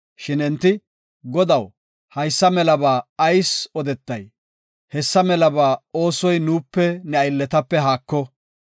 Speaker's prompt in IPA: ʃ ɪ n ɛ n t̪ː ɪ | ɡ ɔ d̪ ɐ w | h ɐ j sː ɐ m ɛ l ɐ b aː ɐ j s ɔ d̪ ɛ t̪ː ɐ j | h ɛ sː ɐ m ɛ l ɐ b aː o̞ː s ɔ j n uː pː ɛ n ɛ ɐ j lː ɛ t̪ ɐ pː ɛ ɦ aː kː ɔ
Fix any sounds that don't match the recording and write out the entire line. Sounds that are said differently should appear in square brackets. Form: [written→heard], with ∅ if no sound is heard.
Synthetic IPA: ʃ ɪ n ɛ n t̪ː ɪ | ɡ ɔ d̪ ɐ w | h ɐ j sː ɐ m ɛ l ɐ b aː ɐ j s ɔ d̪ ɛ t̪ː ɐ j | h ɛ sː ɐ m ɛ l ɐ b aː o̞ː s ɔ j n uː pː ɛ n ɛ ɐ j lː ɛ t̪ ɐ pː ɛ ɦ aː kː ɔ